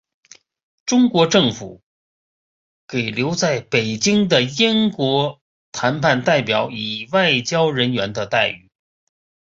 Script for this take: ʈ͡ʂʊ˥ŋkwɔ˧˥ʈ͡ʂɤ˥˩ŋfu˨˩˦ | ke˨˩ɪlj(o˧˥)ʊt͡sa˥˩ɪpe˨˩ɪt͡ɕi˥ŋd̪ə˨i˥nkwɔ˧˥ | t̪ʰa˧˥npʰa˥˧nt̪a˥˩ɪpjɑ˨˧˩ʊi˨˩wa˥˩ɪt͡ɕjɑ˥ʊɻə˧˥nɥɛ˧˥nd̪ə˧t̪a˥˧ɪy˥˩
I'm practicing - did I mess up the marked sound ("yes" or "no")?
no